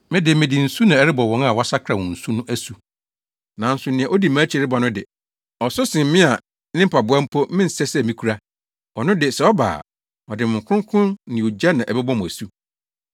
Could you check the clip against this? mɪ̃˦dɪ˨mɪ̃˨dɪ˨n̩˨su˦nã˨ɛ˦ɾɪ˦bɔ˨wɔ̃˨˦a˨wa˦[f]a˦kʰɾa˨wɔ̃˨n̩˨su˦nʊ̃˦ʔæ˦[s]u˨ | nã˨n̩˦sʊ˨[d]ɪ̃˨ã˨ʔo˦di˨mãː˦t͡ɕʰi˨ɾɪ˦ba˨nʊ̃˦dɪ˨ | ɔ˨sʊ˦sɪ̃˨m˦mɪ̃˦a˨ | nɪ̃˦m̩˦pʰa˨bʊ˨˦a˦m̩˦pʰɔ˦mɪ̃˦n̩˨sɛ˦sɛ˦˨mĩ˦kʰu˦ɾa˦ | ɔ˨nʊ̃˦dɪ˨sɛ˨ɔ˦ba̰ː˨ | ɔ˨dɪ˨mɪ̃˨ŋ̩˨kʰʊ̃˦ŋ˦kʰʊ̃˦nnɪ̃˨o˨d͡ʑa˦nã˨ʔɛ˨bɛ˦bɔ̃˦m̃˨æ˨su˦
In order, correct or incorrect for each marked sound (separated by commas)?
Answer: incorrect, correct, incorrect